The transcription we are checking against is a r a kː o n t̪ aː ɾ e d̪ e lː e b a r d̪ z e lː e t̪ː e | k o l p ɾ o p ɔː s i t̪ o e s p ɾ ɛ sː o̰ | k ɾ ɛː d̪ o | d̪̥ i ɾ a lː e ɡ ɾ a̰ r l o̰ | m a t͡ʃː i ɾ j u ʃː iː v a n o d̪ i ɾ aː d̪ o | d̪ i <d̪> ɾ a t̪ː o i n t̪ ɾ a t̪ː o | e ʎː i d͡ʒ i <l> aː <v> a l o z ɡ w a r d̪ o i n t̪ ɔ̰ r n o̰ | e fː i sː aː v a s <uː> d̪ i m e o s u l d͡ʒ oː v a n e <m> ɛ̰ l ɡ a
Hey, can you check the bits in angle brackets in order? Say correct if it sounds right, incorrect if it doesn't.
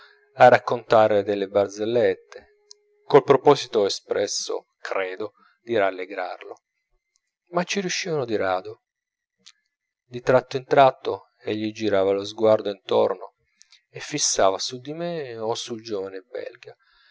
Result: incorrect: t̪, incorrect: ɾ, correct, incorrect: u, incorrect: b

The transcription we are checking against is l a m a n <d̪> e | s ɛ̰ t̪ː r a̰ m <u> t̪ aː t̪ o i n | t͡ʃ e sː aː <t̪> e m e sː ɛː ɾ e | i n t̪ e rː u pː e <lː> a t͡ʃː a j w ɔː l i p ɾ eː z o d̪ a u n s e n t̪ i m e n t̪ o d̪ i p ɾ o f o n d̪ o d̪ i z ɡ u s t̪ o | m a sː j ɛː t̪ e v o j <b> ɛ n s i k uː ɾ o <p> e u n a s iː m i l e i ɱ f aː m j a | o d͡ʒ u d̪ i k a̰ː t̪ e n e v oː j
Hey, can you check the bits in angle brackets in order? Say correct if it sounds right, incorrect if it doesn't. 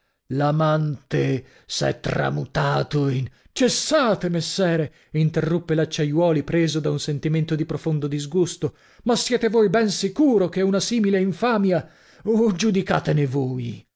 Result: incorrect: t̪, correct, correct, incorrect: l, correct, incorrect: k

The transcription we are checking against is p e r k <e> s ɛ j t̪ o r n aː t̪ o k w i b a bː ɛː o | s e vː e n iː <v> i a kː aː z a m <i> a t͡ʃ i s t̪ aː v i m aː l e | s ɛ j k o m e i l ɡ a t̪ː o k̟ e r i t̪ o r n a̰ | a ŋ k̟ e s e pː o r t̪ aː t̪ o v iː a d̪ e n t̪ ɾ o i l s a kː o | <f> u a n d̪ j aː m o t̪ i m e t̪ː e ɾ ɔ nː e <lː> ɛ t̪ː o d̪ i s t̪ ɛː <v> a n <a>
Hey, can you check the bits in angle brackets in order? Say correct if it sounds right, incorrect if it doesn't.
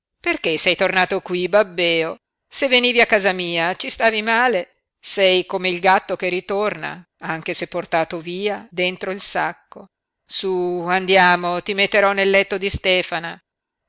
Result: correct, correct, incorrect: iː, incorrect: s, correct, incorrect: f, correct

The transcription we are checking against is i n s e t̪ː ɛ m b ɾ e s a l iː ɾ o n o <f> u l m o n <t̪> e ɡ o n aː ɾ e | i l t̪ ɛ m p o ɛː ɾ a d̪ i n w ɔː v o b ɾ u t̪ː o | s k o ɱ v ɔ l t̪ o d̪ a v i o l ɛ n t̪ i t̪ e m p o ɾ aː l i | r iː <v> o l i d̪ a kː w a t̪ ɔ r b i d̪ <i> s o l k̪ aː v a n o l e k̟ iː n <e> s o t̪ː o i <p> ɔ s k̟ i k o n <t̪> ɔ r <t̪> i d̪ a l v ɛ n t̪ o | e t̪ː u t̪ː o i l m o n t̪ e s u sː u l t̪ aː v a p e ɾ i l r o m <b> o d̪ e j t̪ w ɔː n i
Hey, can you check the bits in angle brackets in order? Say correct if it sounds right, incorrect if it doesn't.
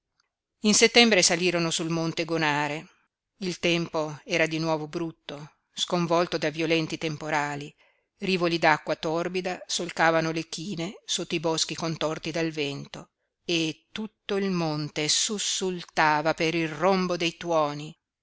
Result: incorrect: s, correct, correct, incorrect: a, correct, incorrect: b, correct, correct, correct

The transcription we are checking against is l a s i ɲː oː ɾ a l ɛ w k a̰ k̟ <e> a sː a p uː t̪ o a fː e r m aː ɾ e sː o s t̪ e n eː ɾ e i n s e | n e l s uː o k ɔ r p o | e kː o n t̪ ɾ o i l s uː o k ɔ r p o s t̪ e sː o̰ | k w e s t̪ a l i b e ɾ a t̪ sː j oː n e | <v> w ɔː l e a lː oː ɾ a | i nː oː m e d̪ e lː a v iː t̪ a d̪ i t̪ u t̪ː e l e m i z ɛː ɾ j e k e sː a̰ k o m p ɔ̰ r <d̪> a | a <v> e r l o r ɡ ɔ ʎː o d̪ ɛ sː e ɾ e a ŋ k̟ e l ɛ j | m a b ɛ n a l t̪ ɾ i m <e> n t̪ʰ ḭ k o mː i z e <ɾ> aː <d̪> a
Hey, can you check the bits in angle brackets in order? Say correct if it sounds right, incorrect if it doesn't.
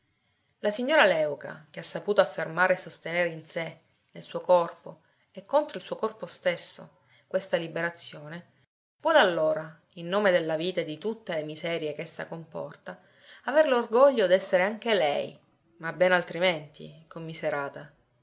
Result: correct, correct, incorrect: t̪, correct, correct, correct, incorrect: t̪

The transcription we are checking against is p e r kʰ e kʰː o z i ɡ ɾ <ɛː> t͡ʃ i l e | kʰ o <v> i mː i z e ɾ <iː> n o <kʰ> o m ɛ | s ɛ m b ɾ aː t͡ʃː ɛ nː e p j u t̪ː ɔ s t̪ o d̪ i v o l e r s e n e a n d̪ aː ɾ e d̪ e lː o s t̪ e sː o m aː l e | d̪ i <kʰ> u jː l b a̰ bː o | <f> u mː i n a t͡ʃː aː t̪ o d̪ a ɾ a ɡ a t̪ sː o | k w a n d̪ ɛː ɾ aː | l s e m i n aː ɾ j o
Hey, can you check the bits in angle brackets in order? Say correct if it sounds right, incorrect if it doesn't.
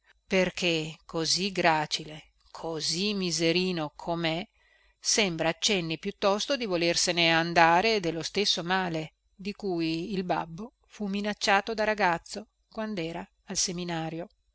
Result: incorrect: aː, incorrect: z, correct, correct, incorrect: k, correct

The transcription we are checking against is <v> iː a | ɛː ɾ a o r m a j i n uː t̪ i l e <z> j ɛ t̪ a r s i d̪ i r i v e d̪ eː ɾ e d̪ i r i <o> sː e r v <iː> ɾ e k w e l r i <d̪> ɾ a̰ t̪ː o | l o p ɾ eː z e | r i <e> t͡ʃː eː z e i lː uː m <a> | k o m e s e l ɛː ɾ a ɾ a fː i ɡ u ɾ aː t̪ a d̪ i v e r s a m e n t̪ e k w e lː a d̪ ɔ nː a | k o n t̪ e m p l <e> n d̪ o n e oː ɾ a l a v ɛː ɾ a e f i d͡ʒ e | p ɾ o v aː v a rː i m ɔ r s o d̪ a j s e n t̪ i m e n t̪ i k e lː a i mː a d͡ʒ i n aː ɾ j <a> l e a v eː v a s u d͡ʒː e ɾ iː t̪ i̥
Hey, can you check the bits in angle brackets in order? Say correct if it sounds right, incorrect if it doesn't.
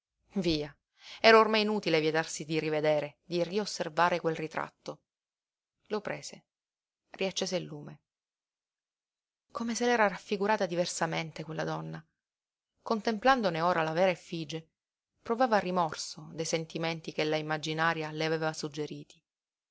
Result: correct, incorrect: v, correct, incorrect: aː, incorrect: t̪, incorrect: a, incorrect: e, incorrect: a, correct

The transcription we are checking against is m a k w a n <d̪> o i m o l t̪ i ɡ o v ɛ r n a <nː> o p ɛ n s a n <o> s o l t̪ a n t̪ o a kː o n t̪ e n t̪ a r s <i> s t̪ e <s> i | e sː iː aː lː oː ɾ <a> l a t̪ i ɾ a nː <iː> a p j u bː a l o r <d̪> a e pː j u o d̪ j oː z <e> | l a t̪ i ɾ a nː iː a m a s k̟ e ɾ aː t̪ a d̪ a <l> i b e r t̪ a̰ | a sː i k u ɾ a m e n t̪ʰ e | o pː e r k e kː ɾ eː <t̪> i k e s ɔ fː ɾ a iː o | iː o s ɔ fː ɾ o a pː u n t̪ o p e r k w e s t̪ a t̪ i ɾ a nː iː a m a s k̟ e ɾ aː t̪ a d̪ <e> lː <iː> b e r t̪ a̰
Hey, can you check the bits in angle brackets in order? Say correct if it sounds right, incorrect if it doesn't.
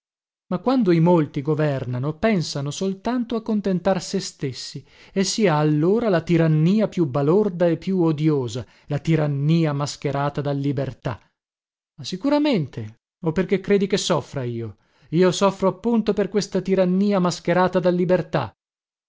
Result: correct, incorrect: n, correct, incorrect: e, incorrect: sː, correct, correct, correct, incorrect: a, incorrect: lː, incorrect: d̪, incorrect: a, incorrect: i

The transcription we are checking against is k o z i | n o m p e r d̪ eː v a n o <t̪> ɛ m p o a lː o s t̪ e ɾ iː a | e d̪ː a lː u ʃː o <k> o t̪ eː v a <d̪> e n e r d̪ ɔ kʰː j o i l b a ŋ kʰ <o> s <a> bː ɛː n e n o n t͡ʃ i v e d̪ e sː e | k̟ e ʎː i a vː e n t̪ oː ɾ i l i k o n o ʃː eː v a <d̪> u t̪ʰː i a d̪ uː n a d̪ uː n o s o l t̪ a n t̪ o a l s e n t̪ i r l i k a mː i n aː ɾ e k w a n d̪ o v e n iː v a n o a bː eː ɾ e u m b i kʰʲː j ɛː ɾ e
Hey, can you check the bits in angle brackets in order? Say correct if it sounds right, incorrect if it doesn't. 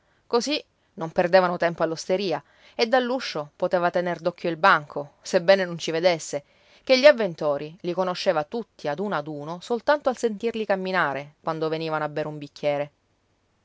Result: correct, incorrect: p, incorrect: t̪, correct, incorrect: e, incorrect: t̪

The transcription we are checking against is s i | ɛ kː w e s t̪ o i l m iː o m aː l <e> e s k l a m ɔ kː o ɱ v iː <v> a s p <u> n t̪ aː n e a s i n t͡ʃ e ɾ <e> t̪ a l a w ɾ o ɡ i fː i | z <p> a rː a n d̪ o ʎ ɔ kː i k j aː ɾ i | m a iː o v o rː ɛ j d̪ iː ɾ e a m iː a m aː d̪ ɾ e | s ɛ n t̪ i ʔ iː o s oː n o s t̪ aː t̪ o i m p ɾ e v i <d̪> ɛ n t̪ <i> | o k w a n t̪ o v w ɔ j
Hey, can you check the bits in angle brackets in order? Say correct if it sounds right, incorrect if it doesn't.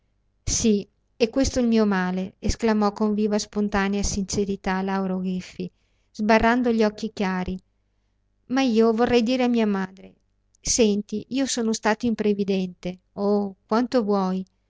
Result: correct, correct, incorrect: o, incorrect: i, incorrect: b, correct, incorrect: e

